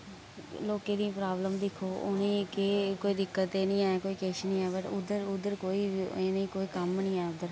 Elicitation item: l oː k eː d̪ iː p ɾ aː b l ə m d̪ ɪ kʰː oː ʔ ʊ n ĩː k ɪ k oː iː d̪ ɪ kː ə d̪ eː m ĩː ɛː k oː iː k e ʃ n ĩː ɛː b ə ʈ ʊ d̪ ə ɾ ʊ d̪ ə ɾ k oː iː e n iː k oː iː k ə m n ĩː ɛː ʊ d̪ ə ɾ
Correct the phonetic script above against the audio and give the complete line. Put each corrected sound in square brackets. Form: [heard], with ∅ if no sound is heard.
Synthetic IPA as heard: l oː k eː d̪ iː p ɾ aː b l ə m d̪ ɪ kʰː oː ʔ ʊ n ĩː k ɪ k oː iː d̪ ɪ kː ə [t̪] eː [n] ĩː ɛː k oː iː k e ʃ n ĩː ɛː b ə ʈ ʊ d̪ ə ɾ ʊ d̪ ə ɾ k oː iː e n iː k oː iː k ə m n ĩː ɛː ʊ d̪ ə ɾ